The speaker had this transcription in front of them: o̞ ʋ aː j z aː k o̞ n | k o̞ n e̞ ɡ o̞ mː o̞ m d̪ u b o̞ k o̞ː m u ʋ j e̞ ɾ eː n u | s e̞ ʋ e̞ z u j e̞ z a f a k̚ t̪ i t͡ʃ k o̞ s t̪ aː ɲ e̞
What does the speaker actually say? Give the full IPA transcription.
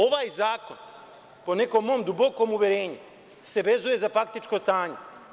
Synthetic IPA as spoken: o̞ ʋ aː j z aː k o̞ n | p o̞ n e̞ k o̞ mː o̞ m d̪ u b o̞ k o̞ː m u ʋ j e̞ ɾ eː ɲ u | s e̞ ʋ e̞ z u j e̞ z a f a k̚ t̪ i t͡ʃ k o̞ s t̪ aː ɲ e̞